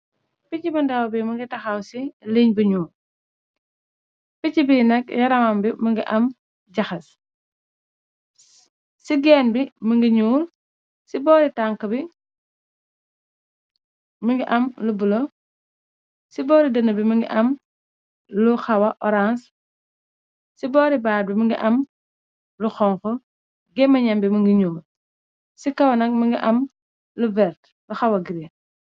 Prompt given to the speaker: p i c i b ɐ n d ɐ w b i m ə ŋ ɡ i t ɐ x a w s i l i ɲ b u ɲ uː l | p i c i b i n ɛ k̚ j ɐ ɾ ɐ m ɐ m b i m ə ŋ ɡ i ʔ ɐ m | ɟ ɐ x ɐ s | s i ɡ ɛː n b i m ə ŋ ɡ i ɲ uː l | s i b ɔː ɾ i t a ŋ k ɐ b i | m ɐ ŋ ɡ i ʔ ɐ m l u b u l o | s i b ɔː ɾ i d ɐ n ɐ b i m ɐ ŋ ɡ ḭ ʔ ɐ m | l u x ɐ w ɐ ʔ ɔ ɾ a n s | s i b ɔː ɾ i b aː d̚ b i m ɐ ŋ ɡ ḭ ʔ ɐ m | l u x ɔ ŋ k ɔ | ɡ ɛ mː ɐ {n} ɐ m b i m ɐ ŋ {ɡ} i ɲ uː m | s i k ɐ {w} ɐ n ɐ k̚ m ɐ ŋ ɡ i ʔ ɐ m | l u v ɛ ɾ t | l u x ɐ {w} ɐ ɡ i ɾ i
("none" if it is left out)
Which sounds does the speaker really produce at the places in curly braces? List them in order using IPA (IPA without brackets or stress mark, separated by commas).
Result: ɲ, ɡ, w, w